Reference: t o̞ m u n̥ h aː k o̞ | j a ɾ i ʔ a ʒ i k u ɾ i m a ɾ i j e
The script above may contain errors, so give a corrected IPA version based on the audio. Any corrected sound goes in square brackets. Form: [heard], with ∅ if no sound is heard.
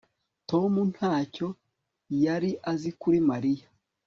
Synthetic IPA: t o̞ m u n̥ h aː [c] o̞ | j a ɾ i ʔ a [z] i k u ɾ i m a ɾ i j [a]